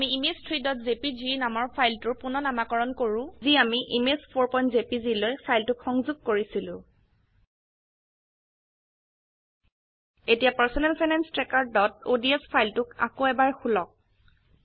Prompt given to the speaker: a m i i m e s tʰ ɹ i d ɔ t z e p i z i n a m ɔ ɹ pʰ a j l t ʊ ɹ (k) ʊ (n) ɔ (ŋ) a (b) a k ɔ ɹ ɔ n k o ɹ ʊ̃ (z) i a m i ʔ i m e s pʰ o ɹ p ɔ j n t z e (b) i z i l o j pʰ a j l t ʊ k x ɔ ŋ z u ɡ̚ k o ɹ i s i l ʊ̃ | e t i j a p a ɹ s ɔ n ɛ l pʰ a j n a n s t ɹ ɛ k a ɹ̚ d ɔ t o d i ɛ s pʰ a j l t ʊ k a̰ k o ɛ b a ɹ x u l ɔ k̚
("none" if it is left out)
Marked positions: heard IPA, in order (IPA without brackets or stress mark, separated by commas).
p, n, n, m, z, p